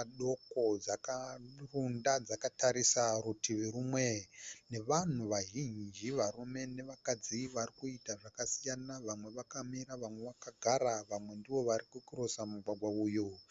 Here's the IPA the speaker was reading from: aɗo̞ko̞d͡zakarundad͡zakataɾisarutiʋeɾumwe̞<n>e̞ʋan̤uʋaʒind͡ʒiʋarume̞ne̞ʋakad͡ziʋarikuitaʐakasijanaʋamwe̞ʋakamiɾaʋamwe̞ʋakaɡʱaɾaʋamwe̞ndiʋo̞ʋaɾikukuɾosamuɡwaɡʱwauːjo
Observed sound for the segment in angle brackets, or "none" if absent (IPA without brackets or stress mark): n